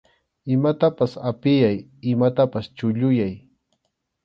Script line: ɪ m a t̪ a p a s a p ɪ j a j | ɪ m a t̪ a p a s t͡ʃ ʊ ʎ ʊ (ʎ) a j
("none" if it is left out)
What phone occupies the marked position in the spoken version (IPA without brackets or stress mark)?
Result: j